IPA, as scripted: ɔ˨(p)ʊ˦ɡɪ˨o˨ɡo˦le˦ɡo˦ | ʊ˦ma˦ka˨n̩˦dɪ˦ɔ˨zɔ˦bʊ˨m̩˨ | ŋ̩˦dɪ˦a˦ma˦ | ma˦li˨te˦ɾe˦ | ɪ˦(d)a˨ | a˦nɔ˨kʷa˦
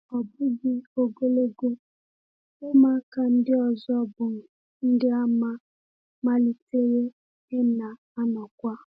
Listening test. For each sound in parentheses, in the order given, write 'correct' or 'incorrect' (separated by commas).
incorrect, incorrect